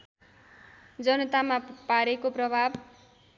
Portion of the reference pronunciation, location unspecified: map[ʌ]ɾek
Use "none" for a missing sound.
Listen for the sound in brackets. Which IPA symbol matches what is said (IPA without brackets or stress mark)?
a